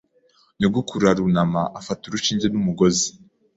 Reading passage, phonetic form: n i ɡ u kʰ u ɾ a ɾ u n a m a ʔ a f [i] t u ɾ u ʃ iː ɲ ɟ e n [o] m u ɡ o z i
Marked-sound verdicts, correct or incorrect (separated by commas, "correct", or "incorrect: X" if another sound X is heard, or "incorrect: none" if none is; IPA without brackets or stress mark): incorrect: a, incorrect: u